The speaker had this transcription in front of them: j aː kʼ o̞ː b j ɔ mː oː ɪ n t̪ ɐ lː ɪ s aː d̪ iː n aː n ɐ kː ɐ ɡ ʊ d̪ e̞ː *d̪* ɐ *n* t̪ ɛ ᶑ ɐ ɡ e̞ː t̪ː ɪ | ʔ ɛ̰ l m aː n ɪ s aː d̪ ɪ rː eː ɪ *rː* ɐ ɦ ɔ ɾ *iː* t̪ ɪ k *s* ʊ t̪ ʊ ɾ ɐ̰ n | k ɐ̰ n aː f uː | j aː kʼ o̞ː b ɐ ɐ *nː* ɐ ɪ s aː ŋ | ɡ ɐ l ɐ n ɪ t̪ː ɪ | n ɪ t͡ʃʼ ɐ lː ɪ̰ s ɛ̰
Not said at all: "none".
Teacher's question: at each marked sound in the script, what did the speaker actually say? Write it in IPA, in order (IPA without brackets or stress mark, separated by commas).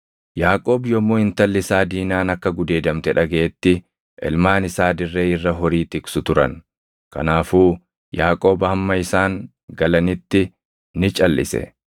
d̪, m, rː, iː, s, mː